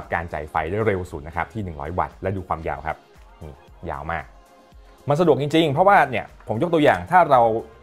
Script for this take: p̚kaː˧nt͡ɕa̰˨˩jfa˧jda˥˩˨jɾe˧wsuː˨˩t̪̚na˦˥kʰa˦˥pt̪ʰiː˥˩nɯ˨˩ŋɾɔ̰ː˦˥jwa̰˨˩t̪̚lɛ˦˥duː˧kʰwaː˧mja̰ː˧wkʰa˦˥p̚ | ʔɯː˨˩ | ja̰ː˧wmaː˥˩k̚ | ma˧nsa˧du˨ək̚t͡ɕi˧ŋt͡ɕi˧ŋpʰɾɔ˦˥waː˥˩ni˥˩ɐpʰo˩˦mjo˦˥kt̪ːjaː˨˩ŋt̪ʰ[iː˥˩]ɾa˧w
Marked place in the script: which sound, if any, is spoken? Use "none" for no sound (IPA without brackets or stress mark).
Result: aː˥˩